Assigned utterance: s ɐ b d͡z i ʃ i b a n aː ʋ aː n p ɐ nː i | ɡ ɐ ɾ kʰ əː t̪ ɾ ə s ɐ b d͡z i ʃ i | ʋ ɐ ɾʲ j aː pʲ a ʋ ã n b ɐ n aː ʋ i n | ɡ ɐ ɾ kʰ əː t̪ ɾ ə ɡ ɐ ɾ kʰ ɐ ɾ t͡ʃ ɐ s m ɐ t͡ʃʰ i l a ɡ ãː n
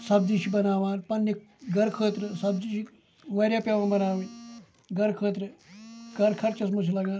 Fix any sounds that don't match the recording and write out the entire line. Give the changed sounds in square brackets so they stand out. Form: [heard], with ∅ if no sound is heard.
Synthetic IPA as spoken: s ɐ b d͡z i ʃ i b [ɐ] n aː ʋ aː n p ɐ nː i | ɡ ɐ ɾ kʰ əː t̪ ɾ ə s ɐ b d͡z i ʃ i | ʋ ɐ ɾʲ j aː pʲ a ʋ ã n b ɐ n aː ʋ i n | ɡ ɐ ɾ kʰ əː t̪ ɾ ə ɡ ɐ ɾ kʰ ɐ ɾ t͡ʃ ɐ s m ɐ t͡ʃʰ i l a ɡ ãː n